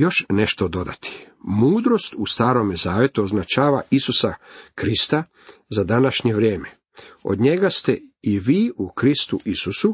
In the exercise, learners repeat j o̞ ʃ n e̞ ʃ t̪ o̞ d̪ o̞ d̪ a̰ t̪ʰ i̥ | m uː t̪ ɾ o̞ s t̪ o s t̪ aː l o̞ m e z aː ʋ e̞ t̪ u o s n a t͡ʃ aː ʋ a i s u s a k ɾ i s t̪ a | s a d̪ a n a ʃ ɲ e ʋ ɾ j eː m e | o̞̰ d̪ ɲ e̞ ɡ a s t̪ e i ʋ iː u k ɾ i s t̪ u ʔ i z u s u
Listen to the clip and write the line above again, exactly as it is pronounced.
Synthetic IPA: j o̞ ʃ n e̞ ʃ t̪ o̞ d̪ o̞ d̪ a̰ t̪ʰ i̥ | m uː d̪ ɾ o̞ s t̪ u s t̪ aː ɾ o̞ m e z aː ʋ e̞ t̪ u o z n a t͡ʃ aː ʋ a i s u s a k ɾ i s t̪ a | z a d̪ a n a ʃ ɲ e ʋ ɾ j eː m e | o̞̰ d̪ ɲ e̞ ɡ a s t̪ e i ʋ iː u k ɾ i s t̪ u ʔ i s u s u